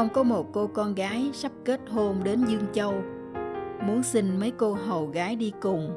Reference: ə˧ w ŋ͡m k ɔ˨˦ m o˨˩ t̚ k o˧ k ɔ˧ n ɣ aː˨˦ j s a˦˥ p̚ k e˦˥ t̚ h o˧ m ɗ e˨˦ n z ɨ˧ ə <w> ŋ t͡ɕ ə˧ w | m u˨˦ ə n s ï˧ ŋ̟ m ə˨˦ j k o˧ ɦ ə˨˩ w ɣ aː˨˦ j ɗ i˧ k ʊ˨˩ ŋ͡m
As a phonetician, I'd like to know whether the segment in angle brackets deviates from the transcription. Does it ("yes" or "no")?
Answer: yes